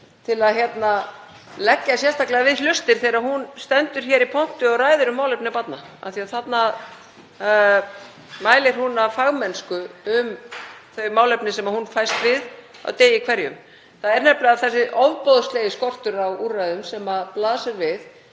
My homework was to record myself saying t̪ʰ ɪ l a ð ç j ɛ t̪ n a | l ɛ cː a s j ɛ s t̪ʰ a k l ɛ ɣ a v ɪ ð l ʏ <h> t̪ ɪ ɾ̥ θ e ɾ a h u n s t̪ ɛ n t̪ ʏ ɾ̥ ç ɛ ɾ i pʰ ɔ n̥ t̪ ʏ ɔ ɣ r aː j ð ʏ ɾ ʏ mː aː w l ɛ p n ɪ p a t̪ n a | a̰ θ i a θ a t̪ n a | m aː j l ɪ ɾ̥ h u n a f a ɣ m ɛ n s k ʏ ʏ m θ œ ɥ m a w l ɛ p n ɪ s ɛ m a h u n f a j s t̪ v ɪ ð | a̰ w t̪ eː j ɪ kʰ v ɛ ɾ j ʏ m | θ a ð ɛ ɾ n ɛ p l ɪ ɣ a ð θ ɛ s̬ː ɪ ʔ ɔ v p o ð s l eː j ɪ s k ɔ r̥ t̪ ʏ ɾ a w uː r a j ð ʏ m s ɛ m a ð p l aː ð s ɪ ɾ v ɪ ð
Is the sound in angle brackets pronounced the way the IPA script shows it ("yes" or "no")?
no